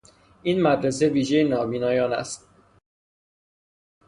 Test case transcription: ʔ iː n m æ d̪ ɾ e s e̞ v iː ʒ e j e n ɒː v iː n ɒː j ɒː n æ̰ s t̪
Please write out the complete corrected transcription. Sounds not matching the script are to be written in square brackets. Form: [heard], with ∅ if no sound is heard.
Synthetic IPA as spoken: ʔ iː n m æ d̪ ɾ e s e̞ v iː ʒ e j e n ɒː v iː n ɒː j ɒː n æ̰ s t̪

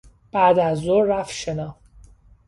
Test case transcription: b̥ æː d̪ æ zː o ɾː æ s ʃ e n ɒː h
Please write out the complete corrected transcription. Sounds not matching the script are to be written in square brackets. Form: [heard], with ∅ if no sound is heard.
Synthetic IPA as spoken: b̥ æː d̪ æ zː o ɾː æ [f] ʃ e n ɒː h

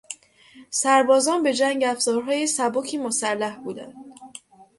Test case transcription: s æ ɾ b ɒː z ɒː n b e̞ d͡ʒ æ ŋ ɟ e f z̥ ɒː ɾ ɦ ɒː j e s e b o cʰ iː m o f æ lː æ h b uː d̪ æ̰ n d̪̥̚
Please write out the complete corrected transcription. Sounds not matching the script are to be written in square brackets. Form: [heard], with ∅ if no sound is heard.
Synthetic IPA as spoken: s æ ɾ b ɒː z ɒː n b e̞ d͡ʒ æ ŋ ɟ [æ] f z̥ ɒː ɾ ɦ ɒː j e s [æ] b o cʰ iː m o [s] æ lː æ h b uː d̪ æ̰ n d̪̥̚

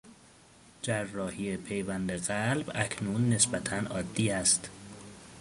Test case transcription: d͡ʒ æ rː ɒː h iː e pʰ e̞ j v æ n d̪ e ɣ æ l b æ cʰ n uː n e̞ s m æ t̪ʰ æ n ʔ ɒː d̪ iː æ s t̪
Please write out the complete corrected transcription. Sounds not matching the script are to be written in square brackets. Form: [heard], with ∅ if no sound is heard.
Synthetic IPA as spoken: d͡ʒ æ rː ɒː h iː e pʰ e̞ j v æ n d̪ e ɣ æ l b æ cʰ n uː [nː] e̞ s [b] æ t̪ʰ æ n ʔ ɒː [d̪ː] iː æ s t̪

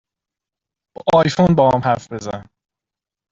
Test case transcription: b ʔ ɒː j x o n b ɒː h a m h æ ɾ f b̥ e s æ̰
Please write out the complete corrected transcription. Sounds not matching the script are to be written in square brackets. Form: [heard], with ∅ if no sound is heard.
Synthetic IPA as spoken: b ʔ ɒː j [f] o n b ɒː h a m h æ ɾ f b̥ e [z] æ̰

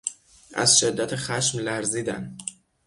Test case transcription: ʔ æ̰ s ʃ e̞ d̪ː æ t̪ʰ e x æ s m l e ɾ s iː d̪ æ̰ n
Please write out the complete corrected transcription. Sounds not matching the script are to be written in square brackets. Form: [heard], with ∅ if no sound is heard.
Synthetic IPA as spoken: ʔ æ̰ [z] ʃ e̞ d̪ː æ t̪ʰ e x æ [ʃ] m l [æ] ɾ [z] iː d̪ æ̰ n

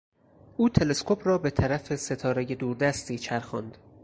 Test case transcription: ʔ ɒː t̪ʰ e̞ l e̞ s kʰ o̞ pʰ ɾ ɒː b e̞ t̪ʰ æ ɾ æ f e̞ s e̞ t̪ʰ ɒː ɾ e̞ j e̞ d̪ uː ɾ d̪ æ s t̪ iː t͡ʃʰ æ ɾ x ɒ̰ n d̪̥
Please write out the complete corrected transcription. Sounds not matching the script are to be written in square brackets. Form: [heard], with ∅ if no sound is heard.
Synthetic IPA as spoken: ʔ [uː] t̪ʰ e̞ l e̞ s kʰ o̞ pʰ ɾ ɒː b e̞ t̪ʰ æ ɾ æ f e̞ s e̞ t̪ʰ ɒː ɾ e̞ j e̞ d̪ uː ɾ d̪ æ s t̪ iː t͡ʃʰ æ ɾ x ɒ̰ n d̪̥

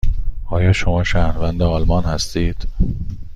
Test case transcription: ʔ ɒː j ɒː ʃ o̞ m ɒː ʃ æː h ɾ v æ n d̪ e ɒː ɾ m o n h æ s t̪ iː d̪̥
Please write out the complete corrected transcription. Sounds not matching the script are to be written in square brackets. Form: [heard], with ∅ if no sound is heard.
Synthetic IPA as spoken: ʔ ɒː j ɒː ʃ o̞ m ɒː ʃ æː h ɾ v æ n d̪ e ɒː [l] m [ɒ] n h æ s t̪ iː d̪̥

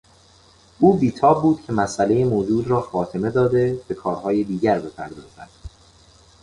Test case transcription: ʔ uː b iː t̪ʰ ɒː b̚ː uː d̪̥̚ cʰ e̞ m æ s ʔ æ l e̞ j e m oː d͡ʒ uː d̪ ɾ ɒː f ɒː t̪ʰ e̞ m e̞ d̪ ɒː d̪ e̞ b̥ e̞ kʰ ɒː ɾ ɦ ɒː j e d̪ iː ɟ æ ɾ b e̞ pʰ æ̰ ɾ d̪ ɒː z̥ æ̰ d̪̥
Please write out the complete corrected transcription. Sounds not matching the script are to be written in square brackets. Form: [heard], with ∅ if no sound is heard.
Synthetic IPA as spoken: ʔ uː b iː t̪ʰ ɒː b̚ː uː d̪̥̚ cʰ e̞ m æ s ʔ æ l e̞ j e m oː d͡ʒ uː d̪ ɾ ɒː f ɒː t̪ʰ e̞ m e̞ d̪ ɒː d̪ e̞ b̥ e̞ kʰ ɒː ɾ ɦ ɒː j e d̪ iː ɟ æ ɾ b e̞ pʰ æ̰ ɾ d̪ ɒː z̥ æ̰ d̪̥

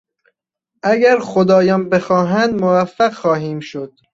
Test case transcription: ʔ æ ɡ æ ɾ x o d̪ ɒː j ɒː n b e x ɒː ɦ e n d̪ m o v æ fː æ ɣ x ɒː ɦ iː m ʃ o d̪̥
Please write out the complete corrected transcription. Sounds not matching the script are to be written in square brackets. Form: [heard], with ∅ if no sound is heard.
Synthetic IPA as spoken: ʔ æ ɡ æ ɾ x o d̪ ɒː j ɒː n b e x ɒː ɦ [æ] n d̪ m o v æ fː æ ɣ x ɒː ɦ iː m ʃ o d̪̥

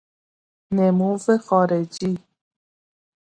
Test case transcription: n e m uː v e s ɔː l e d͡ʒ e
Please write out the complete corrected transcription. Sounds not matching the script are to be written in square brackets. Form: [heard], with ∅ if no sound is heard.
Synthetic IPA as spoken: n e m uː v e [x] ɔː [ɾ] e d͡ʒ [i]

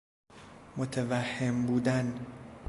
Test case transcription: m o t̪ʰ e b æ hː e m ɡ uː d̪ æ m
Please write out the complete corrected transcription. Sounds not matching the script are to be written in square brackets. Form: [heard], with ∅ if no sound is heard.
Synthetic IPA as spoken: m o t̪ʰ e [v] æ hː e m [b] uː d̪ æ [n]

